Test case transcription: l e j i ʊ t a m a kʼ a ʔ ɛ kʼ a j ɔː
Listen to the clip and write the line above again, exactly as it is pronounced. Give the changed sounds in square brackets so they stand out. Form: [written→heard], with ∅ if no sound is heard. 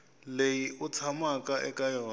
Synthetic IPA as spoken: l e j i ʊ [t→t͡sʰ] a m a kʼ a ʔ ɛ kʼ a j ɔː